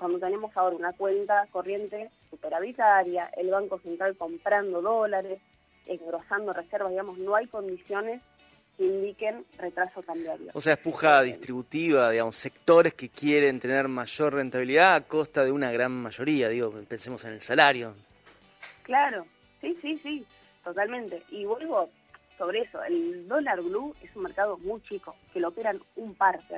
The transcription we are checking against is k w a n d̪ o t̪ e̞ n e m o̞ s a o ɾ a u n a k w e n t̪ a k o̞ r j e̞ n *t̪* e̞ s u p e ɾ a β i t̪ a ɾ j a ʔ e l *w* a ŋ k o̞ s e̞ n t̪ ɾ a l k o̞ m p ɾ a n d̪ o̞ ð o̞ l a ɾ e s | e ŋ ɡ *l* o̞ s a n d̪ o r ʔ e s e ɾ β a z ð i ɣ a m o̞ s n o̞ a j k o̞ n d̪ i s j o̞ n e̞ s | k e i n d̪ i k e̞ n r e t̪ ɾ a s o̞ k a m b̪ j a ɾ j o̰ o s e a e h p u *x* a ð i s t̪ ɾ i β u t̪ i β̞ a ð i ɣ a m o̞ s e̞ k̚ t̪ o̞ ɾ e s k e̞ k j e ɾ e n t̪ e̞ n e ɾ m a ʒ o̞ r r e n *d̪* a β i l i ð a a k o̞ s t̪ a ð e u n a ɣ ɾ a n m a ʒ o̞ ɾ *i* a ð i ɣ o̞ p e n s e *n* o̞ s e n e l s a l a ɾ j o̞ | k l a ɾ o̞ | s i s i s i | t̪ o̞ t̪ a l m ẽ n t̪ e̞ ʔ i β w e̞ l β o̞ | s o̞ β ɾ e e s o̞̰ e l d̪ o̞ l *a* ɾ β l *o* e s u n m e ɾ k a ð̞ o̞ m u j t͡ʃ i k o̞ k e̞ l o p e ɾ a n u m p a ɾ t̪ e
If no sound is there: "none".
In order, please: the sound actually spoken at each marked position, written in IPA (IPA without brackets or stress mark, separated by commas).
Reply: t̪, β, ɾ, x, t̪, i, m, a, u